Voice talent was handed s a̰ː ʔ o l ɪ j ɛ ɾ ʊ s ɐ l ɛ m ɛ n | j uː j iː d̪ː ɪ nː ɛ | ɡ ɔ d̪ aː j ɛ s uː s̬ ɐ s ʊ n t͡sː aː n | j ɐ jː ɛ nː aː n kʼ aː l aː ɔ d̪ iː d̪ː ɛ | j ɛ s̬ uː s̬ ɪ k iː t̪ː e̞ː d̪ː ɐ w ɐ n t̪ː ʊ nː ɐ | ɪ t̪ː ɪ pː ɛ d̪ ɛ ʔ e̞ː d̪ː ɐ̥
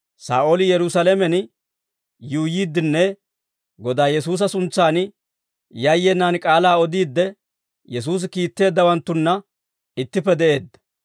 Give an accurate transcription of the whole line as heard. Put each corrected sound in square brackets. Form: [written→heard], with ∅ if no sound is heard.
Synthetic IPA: s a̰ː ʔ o l ɪ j ɛ ɾ ʊ s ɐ l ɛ m ɛ n | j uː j iː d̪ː ɪ nː ɛ | ɡ ɔ d̪ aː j ɛ s uː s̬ ɐ s ʊ n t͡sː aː n | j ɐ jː ɛ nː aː n kʼ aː l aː ɔ d̪ iː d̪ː ɛ | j ɛ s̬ uː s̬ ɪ k iː t̪ː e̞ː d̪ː ɐ w ɐ n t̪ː ʊ nː ɐ | ɪ t̪ː ɪ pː ɛ d̪ ɛ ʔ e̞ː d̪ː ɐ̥